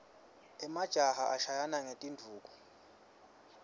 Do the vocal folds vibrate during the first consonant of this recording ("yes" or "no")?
yes